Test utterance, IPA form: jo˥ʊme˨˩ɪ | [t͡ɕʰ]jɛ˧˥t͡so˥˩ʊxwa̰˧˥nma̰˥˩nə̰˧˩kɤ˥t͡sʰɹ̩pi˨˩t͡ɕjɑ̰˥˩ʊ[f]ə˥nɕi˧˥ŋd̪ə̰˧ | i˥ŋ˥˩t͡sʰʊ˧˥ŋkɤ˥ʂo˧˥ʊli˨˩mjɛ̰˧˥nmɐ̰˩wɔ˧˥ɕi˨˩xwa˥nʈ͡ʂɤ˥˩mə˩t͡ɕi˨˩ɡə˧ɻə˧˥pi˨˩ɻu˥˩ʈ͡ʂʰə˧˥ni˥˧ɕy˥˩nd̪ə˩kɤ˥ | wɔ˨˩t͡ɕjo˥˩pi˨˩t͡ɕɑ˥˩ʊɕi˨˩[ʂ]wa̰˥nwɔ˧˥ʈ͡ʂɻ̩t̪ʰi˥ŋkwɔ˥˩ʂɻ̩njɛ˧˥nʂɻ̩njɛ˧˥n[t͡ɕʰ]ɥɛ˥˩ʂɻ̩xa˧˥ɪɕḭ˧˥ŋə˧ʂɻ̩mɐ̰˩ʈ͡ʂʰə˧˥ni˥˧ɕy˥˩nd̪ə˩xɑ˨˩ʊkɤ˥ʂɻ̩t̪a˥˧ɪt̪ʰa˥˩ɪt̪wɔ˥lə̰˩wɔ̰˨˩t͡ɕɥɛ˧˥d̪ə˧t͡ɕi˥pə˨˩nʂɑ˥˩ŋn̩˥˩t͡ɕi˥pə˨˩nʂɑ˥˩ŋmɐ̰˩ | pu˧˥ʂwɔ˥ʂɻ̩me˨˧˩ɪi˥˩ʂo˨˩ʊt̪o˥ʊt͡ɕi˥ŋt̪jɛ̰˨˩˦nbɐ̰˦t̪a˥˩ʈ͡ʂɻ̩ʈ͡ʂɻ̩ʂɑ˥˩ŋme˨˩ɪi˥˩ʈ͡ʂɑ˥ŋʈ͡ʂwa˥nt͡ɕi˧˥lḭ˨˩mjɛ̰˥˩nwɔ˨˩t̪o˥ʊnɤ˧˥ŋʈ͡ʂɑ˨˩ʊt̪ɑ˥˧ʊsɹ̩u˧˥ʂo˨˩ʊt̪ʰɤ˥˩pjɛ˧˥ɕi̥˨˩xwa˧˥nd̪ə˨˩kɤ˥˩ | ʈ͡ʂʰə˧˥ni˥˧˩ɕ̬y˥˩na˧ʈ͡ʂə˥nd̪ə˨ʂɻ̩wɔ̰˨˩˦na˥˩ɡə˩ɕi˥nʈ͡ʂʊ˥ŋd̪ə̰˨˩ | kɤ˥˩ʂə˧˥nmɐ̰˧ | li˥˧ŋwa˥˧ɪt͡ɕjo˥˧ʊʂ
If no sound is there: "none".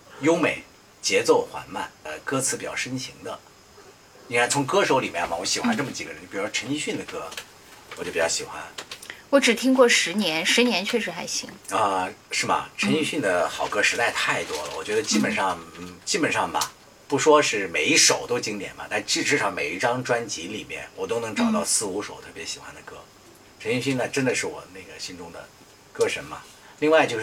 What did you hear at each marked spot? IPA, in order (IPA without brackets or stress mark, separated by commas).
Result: t͡ɕ, ʂ, x, t͡ɕʰ